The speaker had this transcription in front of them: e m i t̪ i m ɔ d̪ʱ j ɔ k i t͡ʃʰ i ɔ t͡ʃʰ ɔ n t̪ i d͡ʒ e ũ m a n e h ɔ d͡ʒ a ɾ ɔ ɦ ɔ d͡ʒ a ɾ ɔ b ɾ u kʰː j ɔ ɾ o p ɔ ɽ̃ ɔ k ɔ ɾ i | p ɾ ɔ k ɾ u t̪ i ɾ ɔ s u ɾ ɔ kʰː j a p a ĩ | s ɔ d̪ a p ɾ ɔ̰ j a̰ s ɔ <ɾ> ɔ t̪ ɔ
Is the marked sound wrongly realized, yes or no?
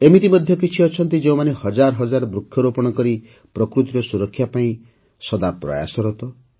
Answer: no